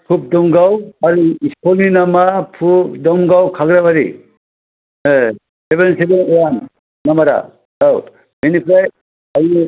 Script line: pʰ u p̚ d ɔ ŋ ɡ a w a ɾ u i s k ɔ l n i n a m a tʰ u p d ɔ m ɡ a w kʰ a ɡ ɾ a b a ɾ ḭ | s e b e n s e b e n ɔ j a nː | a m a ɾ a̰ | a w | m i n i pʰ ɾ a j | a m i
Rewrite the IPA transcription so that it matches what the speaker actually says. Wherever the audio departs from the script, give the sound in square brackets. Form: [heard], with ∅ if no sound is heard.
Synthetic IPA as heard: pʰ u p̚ d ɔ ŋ ɡ a w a ɾ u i s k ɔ l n i n a m a [pʰ] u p d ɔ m ɡ a w kʰ a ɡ ɾ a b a ɾ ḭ | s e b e n s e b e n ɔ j a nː | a m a ɾ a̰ | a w | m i n i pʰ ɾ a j | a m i